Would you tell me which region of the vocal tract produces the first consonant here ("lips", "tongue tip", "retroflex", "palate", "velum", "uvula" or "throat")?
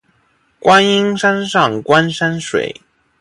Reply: velum